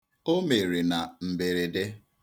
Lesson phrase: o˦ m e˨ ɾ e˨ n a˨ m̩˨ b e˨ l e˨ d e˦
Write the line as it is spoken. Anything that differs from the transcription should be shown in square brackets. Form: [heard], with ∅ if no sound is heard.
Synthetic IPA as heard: o˦ m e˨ ɾ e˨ n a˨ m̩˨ b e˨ [ɾ] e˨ d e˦